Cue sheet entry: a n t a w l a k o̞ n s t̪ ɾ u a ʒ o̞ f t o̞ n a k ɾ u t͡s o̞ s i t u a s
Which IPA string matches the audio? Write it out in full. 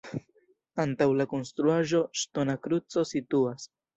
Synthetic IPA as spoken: a n t a w l a k o̞ n s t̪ ɾ u a ʒ o̞ ʃ t o̞ n a k ɾ u t͡s o̞ s i t u a s